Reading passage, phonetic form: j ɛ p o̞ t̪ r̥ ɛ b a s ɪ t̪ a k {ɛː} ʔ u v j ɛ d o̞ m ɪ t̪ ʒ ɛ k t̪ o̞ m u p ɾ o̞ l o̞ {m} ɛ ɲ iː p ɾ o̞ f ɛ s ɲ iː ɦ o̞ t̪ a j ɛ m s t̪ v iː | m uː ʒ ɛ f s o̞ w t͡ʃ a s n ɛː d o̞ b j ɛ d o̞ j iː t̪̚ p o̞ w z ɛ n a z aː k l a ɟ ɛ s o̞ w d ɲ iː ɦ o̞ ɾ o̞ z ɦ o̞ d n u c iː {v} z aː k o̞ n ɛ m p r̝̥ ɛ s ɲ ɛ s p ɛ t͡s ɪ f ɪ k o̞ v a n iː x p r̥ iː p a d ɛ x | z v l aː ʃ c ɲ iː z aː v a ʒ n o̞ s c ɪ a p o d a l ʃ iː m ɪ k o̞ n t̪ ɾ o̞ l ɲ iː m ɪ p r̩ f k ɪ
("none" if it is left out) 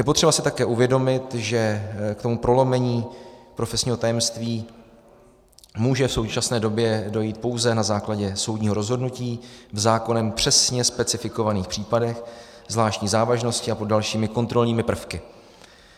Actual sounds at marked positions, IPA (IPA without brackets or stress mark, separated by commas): ɛː, m, v